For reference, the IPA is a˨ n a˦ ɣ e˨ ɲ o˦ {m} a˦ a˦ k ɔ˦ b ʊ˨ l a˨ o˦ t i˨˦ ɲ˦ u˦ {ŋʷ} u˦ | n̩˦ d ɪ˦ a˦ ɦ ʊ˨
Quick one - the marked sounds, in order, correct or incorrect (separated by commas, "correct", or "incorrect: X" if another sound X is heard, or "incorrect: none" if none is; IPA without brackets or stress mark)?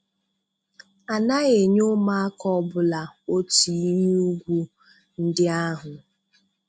correct, incorrect: ɡʷ